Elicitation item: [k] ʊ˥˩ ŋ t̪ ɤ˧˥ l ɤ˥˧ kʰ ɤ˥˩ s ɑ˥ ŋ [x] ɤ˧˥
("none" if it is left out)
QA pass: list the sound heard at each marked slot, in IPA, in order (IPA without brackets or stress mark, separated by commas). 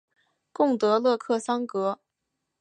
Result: k, k